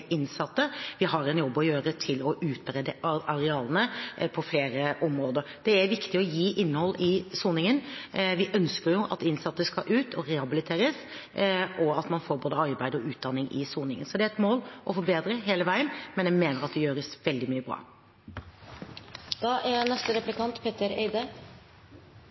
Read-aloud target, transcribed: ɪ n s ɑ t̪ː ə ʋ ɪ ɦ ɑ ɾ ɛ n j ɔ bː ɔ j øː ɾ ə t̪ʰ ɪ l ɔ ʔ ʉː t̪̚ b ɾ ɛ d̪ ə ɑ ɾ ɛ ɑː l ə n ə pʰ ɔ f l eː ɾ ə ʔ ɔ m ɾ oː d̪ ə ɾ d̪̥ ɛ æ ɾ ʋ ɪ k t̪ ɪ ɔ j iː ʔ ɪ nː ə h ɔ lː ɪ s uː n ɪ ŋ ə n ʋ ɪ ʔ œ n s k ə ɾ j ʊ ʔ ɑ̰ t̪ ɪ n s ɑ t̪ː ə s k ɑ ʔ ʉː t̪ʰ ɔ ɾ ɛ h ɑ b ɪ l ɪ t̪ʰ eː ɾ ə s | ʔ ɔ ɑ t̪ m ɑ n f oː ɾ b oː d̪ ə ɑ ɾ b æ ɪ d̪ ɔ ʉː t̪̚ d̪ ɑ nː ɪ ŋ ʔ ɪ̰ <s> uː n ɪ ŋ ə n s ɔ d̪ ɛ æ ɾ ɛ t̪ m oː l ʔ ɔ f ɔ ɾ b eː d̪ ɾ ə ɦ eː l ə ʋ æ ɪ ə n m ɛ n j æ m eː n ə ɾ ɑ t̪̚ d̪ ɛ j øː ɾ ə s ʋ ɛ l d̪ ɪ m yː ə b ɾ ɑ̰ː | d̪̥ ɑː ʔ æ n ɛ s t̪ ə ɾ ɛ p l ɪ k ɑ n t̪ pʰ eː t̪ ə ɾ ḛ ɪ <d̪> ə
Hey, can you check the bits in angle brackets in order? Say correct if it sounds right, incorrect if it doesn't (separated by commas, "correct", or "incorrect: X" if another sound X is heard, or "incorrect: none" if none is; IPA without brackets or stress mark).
correct, correct